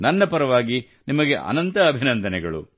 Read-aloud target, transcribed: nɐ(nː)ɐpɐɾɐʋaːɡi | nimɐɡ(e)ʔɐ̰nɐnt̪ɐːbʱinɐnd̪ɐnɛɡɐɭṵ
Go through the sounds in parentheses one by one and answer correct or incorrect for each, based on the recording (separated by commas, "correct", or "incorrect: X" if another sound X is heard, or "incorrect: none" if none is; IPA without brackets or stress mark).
correct, correct